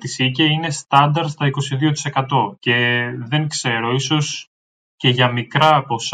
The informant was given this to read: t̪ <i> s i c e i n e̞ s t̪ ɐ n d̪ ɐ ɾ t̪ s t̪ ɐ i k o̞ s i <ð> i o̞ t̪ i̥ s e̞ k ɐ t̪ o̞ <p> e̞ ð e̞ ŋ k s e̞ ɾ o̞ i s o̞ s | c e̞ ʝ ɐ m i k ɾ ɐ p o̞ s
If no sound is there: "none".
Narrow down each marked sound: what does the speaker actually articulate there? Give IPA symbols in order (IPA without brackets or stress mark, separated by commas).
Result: i, ð, c